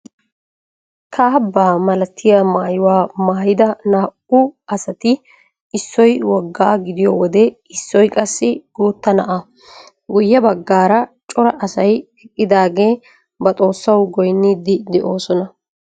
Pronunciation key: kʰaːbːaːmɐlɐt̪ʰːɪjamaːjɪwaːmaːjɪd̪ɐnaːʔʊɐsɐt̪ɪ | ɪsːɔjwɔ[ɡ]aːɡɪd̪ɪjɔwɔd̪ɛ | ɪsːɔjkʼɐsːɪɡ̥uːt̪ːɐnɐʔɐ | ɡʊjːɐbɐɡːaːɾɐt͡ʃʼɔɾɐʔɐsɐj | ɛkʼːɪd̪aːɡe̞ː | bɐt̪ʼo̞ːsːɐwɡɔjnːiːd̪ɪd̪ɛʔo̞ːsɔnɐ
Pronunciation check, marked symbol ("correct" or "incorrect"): incorrect